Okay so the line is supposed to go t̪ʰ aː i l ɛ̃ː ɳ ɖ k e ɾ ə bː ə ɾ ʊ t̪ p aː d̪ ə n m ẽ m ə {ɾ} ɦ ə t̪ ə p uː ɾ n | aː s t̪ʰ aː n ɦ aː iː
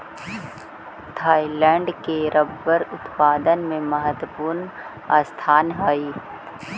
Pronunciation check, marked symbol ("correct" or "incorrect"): incorrect